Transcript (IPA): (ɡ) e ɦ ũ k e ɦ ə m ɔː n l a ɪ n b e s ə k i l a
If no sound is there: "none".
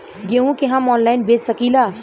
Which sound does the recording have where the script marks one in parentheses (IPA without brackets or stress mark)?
ɡ